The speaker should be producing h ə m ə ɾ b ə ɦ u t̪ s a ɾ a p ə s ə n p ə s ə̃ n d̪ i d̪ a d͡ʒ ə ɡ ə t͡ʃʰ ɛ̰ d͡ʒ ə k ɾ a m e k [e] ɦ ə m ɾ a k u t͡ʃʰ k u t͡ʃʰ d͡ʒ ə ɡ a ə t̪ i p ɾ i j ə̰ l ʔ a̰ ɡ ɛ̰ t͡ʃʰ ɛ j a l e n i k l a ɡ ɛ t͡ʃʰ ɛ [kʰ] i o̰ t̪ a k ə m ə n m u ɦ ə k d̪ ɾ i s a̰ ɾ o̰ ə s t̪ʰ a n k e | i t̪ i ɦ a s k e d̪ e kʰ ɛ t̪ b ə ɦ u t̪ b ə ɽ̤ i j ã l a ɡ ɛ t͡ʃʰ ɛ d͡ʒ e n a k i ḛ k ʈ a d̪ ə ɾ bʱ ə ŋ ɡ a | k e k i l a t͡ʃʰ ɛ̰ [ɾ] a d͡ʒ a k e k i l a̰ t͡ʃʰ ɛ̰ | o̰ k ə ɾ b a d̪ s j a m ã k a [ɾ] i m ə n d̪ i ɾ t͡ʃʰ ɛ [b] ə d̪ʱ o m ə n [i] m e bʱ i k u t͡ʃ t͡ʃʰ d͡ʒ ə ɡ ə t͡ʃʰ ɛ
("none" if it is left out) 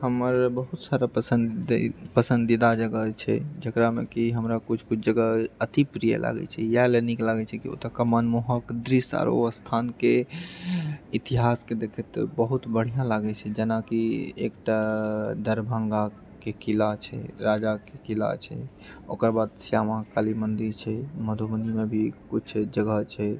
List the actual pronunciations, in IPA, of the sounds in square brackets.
i, k, ɾ, l, m, i

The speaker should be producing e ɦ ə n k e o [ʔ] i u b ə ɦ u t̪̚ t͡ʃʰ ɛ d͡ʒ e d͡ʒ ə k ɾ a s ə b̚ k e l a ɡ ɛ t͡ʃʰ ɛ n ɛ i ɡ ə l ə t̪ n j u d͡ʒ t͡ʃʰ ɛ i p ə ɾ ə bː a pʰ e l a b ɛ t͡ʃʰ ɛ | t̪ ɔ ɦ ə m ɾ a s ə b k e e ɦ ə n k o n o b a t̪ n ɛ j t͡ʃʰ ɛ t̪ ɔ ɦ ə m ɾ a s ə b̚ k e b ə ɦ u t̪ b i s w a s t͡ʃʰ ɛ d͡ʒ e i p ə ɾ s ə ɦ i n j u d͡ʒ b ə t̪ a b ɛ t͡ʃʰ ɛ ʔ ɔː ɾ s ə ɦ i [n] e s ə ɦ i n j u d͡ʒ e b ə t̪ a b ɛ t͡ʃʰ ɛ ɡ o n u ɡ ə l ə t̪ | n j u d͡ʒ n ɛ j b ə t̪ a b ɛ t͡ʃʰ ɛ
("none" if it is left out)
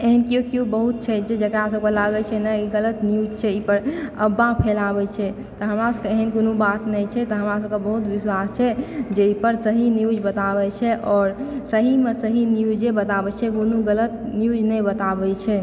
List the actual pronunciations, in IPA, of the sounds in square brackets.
k, m

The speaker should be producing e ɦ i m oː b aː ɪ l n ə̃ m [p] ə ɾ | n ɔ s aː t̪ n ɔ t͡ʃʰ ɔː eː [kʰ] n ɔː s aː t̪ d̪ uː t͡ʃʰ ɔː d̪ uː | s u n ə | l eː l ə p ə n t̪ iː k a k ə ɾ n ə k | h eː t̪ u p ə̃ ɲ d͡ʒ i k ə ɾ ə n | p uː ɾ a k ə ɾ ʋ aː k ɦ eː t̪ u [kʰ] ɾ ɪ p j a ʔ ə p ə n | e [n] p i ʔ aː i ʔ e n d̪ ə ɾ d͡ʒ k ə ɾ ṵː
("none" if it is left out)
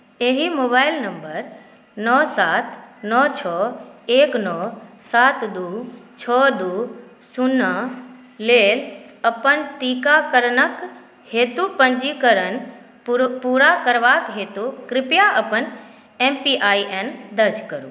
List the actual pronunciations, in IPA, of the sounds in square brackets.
b, k, k, m

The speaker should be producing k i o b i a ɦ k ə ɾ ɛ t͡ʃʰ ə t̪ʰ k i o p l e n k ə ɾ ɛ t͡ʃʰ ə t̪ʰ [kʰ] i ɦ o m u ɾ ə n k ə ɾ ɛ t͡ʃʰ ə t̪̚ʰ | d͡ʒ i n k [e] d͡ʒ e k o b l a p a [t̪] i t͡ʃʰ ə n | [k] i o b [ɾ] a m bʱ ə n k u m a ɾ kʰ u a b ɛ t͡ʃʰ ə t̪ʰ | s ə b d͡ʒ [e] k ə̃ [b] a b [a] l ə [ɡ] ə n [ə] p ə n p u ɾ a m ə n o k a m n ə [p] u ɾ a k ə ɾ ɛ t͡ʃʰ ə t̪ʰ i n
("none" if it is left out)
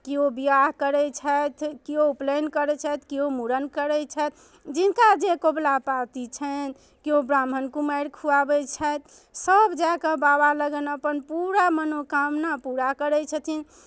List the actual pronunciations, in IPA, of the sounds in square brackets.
k, a, t̪, k, ɾ, a, b, a, ɡ, ə, p

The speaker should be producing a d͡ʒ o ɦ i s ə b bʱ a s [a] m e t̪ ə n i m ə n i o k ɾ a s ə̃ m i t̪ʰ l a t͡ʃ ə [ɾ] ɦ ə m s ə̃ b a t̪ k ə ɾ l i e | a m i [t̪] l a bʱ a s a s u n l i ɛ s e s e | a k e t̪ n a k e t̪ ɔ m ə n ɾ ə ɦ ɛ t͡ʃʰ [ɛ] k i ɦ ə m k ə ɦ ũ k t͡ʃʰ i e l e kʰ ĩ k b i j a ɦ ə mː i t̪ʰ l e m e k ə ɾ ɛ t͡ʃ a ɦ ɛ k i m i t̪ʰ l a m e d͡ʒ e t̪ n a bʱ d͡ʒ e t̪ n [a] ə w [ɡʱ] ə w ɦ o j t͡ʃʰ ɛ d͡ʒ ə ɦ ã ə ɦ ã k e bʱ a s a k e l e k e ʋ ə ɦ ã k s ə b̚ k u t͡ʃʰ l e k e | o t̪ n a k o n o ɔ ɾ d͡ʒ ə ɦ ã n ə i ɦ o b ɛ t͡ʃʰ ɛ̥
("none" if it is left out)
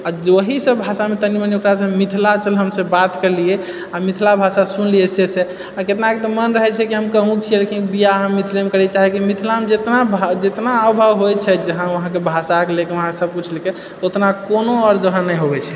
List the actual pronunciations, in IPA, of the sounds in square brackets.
a, l, t̪ʰ, ɛ, a, bʱ

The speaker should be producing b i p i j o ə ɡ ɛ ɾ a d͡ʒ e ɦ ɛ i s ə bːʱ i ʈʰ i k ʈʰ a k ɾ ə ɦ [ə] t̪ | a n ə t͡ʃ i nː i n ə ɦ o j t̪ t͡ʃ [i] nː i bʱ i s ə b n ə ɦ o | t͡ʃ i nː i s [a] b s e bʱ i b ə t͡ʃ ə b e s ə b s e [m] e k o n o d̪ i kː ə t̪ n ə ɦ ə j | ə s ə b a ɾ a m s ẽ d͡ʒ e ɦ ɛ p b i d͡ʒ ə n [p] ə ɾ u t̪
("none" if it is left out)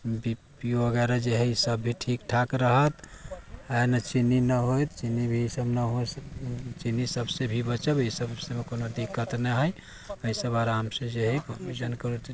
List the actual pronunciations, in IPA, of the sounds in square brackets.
ə, i, ə, m, k

